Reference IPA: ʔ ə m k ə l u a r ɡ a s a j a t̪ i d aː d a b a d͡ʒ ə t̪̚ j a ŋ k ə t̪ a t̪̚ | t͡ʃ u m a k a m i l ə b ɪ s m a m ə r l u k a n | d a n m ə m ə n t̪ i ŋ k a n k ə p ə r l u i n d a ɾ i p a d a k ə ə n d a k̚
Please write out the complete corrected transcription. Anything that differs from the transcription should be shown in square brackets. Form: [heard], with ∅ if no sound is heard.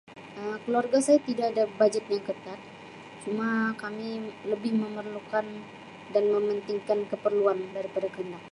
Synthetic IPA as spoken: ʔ ə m k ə l u a r ɡ a s a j a t̪ i d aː d a b a d͡ʒ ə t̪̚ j a ŋ k ə t̪ a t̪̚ | t͡ʃ u m a k a m i l ə b ɪ [h] m [ə] m ə r l u k a n | d a n m ə m ə n t̪ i ŋ k a n k ə p ə r l u [a] n d a ɾ i p a d a k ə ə n d a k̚